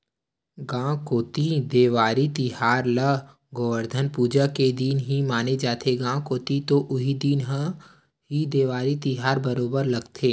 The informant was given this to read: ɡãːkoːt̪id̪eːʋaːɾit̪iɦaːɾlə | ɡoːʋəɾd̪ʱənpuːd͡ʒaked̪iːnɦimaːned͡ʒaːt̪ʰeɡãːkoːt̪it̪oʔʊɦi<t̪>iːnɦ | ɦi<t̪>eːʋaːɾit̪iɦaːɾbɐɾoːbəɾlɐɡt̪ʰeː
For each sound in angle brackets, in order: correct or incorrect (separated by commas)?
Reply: incorrect, incorrect